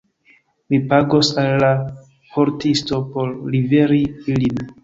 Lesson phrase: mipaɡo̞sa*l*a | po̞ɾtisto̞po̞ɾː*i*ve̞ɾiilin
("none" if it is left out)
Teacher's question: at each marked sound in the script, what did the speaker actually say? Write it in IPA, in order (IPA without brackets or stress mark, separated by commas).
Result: lː, i